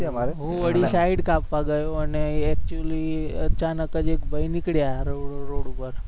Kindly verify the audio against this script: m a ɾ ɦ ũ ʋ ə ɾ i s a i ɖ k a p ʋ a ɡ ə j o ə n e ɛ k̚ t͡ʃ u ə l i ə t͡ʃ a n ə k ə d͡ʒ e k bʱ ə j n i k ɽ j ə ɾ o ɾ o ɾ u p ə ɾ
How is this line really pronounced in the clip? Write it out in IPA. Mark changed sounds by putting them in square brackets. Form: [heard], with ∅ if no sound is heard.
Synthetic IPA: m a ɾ ɦ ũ ʋ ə [ɽ] i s a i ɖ k a p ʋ a ɡ ə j o ə n e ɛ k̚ t͡ʃ u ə l i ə t͡ʃ a n ə k ə d͡ʒ e k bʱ ə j n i k ɽ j [a] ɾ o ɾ o [ɽ] u p ə ɾ